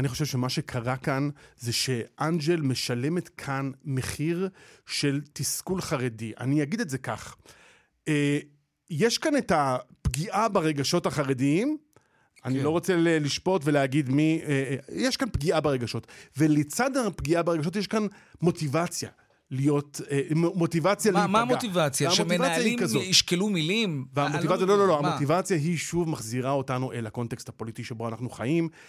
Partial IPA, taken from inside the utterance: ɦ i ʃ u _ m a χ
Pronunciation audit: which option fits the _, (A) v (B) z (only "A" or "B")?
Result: A